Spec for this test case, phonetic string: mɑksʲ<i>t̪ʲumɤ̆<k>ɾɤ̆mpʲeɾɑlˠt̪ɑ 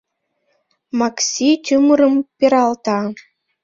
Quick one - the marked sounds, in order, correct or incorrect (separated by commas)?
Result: correct, incorrect